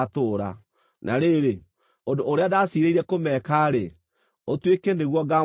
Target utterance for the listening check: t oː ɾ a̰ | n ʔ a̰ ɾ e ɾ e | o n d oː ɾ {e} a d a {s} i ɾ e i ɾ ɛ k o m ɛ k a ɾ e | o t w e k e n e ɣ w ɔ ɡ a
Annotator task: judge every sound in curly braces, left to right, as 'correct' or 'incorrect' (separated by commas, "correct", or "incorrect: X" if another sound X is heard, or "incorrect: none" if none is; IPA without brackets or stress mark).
correct, correct